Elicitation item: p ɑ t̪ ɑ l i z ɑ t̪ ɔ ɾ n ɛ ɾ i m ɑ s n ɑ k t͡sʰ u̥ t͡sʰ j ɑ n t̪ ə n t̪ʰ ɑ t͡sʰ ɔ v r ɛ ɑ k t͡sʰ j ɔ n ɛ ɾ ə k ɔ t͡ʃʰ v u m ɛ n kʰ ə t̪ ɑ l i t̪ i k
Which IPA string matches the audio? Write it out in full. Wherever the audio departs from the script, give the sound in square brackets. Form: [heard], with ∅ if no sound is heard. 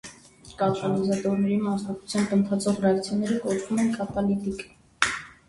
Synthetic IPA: [k] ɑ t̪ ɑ l i z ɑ t̪ ɔ ɾ n ɛ ɾ i m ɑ s n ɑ k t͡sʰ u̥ t͡sʰ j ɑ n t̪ ə n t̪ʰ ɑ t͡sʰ ɔ [ʁ] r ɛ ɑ k t͡sʰ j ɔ n ɛ ɾ ə k ɔ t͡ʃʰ v u m ɛ n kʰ [ɑ] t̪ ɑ l i t̪ i k